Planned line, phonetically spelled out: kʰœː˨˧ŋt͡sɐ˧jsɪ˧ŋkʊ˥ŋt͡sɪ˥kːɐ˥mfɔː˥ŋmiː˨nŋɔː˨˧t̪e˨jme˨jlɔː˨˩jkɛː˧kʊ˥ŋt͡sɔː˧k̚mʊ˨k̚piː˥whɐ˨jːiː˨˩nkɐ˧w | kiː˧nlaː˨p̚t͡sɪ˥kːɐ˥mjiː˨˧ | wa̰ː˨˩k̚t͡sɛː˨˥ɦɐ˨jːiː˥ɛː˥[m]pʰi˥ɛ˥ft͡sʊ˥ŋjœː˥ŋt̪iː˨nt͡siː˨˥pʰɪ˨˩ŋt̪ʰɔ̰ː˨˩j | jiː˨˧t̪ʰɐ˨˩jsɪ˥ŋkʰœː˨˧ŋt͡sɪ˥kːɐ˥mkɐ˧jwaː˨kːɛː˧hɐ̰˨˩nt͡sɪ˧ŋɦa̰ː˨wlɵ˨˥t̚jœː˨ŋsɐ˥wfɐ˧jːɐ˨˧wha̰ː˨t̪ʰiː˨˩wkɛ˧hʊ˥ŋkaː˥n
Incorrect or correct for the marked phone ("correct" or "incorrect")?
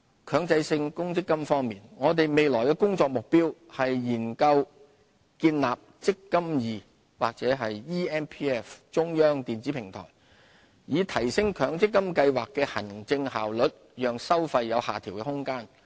incorrect